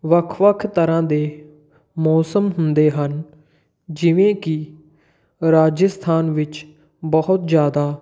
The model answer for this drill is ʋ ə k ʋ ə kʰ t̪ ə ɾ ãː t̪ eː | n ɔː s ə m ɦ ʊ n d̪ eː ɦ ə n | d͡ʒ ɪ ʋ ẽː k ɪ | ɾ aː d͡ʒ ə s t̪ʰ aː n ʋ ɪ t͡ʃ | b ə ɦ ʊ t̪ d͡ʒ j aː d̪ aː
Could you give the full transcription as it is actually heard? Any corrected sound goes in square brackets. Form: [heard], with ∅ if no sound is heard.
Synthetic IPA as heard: ʋ ə [kʰ] ʋ ə kʰ t̪ ə ɾ ãː [d̪] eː | [m] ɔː s ə m ɦ ʊ n d̪ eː ɦ ə n | d͡ʒ ɪ ʋ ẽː k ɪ | ɾ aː d͡ʒ ə s t̪ʰ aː n ʋ ɪ t͡ʃ | b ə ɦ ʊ t̪ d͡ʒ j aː d̪ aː